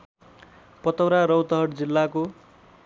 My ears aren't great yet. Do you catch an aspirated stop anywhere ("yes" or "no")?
no